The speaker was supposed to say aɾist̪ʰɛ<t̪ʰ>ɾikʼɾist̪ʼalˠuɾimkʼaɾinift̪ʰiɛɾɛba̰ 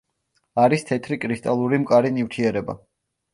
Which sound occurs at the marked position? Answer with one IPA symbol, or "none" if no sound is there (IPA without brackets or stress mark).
t̪ʰ